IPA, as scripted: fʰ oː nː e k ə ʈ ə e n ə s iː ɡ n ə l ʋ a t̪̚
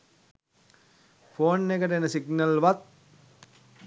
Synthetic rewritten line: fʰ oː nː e k ə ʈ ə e n ə s i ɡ n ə l ʋ a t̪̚

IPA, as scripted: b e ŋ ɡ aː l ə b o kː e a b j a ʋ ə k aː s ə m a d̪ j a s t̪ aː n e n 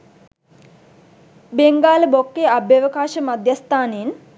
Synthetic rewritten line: b e ŋ ɡ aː l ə b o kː e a b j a ʋ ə k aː ʃ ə m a d̪ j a s t̪ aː n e n

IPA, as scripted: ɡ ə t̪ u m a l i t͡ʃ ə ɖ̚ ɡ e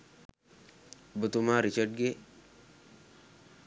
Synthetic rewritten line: b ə t̪ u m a ɾ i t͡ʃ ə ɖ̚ ɡ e

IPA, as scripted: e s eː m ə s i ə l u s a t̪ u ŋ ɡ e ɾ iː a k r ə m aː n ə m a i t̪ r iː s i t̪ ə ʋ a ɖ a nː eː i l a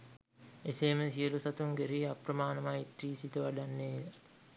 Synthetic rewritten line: e s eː m ə s i ə l u s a t̪ u ŋ ɡ e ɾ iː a p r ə m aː n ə m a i t̪ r iː s i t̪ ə ʋ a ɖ a nː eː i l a

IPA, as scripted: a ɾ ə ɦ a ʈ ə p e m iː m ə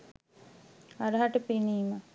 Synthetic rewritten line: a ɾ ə ɦ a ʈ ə p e n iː m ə

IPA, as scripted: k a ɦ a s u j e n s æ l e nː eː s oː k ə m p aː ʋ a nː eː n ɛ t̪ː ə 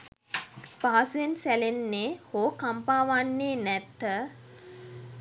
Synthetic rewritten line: p a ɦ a s u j e n s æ l e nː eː h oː k a m p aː ʋ a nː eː n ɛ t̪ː ə

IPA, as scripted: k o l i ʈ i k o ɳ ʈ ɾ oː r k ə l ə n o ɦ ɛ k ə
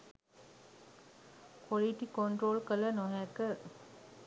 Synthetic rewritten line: k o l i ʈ i k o ɳ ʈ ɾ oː l k ə l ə n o ɦ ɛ k ə

